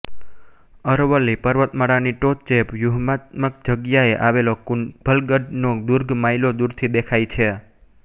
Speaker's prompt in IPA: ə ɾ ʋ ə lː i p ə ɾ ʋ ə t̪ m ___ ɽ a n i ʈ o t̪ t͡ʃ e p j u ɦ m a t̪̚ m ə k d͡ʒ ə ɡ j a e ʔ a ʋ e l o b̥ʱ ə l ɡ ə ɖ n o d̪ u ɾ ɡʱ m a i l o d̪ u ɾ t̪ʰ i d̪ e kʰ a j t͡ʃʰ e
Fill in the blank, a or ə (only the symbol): ə